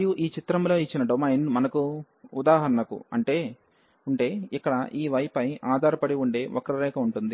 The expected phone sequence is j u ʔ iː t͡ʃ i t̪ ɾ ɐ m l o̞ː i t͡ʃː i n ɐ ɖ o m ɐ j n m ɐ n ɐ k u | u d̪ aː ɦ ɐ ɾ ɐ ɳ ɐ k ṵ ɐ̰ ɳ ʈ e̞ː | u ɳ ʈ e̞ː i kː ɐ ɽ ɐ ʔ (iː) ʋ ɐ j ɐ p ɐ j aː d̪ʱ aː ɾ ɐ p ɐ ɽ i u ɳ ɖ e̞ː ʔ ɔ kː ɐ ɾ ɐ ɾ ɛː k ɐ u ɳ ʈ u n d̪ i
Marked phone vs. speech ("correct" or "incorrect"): correct